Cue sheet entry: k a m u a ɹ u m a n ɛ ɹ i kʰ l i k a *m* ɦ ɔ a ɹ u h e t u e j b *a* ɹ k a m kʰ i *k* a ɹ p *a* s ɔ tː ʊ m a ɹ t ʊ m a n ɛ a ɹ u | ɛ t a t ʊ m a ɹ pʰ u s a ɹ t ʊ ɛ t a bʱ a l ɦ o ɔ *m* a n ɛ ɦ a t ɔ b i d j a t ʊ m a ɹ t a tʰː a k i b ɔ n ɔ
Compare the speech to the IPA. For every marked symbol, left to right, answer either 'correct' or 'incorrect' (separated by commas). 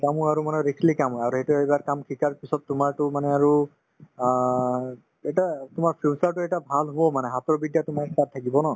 correct, correct, correct, incorrect, correct